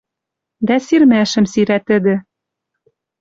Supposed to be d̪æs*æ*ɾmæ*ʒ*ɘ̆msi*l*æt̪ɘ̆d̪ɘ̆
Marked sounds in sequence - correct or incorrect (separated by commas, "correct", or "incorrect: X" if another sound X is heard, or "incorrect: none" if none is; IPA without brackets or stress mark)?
incorrect: i, incorrect: ʃ, incorrect: ɾ